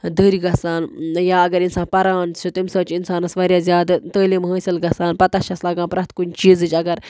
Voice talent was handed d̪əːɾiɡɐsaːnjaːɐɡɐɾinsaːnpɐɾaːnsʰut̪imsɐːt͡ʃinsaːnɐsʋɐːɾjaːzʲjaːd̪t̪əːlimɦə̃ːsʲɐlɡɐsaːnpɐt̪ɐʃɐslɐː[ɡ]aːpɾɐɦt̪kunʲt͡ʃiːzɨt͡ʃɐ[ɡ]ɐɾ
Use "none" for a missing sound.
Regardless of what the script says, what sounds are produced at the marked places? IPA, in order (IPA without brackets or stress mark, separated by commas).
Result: ɡ, ɡ